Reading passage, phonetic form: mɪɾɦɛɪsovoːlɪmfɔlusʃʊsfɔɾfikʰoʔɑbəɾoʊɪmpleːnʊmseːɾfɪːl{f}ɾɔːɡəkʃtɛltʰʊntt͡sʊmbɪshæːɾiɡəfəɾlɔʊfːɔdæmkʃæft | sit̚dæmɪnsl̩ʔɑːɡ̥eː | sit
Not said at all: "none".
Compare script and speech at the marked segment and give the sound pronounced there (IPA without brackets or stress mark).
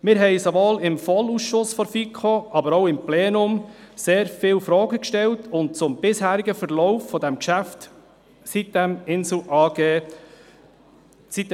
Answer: f